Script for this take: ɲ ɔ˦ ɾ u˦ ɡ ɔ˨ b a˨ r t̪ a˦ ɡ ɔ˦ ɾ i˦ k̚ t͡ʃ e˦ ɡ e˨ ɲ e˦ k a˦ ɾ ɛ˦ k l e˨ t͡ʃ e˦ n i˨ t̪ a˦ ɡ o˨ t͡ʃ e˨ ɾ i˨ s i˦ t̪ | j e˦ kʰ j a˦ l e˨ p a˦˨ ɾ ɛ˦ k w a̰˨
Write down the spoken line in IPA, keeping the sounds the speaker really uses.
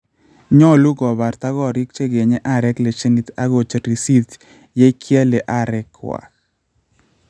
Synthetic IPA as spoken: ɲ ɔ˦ l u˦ ɡ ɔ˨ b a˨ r t̪ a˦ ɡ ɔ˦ ɾ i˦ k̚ t͡ʃ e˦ ɡ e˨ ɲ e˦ ʔ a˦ ɾ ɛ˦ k l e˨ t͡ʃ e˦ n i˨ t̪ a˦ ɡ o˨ t͡ʃ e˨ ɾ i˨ s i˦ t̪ | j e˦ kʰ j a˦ l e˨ ʔ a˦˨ ɾ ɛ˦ k w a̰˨